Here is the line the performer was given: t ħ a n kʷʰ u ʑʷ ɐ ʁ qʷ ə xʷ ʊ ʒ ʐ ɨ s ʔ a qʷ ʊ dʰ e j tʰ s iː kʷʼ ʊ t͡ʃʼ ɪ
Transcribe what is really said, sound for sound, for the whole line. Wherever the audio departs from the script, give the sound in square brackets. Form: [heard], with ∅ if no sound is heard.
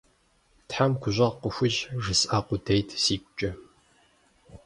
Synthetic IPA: t ħ a [m] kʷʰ [ʊ] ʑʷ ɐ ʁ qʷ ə xʷ ʊ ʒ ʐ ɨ s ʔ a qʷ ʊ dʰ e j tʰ s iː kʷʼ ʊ t͡ʃʼ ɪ